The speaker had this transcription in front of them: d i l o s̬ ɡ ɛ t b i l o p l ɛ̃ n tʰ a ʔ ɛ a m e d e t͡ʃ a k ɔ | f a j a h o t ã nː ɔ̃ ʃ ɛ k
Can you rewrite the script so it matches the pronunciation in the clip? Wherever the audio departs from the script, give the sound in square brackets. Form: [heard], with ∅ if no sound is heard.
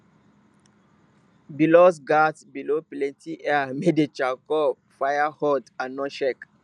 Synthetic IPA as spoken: [b] i l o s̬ ɡ [a] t b i l o p l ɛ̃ n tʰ [i] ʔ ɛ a m e d e t͡ʃ a k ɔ | f a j a h [ɔ] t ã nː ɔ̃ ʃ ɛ k

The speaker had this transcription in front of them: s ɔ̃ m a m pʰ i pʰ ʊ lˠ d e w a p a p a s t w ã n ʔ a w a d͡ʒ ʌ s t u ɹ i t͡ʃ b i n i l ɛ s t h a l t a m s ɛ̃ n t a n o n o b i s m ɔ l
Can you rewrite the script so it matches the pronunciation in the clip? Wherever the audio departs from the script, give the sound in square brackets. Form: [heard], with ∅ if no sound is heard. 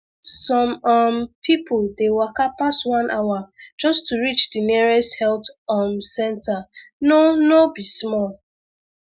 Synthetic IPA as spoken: s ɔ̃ m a m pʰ i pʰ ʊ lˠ d e w a [k] a p a s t w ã n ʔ a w a d͡ʒ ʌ s t u ɹ i t͡ʃ [d] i n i [ɹ] ɛ s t h [ɛ] l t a m s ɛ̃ n t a n o n o b i s m ɔ l

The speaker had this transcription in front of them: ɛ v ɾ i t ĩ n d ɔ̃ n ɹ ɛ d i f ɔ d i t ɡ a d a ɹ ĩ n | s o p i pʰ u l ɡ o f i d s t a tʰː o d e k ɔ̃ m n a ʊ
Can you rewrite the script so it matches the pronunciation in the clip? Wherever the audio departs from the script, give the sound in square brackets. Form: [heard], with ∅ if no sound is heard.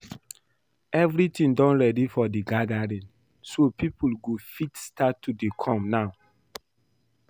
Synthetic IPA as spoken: ɛ v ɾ i t ĩ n d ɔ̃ n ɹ ɛ d i f ɔ d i [∅] ɡ a d a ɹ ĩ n | s o p i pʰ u l ɡ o f i [t] s t a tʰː [u] d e [kʰ] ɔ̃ m n a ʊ

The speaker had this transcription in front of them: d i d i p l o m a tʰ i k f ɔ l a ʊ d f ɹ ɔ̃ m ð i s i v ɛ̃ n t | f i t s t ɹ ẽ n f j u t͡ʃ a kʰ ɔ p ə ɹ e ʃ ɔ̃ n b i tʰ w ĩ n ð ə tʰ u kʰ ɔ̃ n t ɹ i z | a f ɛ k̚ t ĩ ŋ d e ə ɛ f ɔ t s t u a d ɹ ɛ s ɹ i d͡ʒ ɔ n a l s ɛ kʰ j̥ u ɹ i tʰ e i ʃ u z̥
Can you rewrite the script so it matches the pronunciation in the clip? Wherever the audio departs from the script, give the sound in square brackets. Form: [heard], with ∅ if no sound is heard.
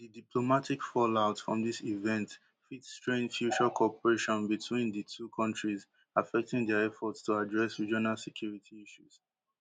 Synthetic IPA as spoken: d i d i p l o m a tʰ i k f ɔ l a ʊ [t] f ɹ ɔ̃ m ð i s i v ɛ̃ n t | f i t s t ɹ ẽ n f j u t͡ʃ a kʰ ɔ p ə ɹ e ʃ ɔ̃ n b i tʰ w ĩ n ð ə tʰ u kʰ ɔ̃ n t ɹ i z | a f ɛ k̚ t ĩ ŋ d [ɛ] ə ɛ f ɔ t s t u a d ɹ ɛ s ɹ i d͡ʒ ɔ n a l s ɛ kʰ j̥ u ɹ i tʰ [i] i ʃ u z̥

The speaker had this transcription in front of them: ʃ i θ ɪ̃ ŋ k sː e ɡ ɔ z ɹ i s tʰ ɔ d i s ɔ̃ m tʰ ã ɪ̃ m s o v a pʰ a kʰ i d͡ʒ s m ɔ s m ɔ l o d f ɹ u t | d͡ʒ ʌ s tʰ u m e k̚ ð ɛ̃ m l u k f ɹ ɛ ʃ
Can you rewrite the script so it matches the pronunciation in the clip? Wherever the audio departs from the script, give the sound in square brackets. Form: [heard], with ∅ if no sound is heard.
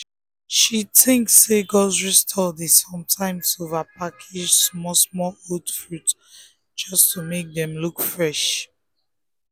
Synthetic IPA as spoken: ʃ i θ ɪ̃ ŋ k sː e ɡ ɔ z ɹ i s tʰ ɔ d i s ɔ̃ m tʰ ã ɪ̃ m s o v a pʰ a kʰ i d͡ʒ s m ɔ s m ɔ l o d f ɹ u t | d͡ʒ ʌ s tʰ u m e k̚ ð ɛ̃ m l u k f ɹ ɛ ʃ

